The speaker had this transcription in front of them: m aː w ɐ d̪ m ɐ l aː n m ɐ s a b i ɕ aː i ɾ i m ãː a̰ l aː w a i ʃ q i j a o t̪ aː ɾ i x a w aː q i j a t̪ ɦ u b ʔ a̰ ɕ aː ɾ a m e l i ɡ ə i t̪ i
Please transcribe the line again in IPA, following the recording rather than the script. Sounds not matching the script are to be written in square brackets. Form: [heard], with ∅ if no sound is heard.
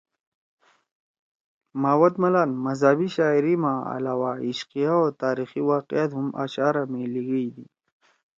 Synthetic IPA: m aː w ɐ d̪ m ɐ l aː n m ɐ [z] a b i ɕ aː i ɾ i m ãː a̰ l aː w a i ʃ q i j a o t̪ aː ɾ i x [i] w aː q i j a t̪ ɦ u [m] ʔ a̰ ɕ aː ɾ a m e l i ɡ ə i [d̪] i